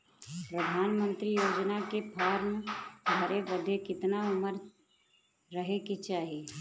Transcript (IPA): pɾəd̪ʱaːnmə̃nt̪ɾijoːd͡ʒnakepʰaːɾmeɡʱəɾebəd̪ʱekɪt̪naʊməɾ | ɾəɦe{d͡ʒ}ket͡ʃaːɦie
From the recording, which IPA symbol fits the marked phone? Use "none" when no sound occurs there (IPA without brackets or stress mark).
none